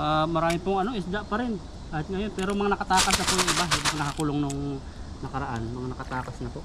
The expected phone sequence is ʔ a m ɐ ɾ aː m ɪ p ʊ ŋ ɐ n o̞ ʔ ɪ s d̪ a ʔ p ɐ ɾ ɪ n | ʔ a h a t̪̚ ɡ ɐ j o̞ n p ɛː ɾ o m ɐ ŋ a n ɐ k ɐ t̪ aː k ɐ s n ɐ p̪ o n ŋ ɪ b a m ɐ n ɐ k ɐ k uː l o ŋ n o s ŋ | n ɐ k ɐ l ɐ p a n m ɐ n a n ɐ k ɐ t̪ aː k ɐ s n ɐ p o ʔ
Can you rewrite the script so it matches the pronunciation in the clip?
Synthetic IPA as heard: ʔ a m ɐ ɾ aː m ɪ p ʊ ŋ ɐ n o̞ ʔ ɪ s d̪ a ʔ p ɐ ɾ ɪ n | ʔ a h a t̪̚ ŋ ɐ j o̞ n p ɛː ɾ o m ɐ ŋ a n ɐ k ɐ t̪ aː k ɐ s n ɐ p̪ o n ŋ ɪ b a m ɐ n ɐ k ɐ k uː l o ŋ n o ŋ | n ɐ k ɐ ɾ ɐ ʔ a n m ɐ ŋ a n ɐ k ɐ t̪ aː k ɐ s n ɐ p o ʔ